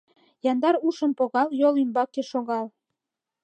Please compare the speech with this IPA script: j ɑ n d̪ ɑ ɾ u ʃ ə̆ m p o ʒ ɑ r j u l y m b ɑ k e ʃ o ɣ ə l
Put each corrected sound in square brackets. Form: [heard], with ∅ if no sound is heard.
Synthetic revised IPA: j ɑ n d̪ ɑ ɾ u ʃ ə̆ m p o [ɣ] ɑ [l] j [o] l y m b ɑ k e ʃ o ɣ [ɑ] l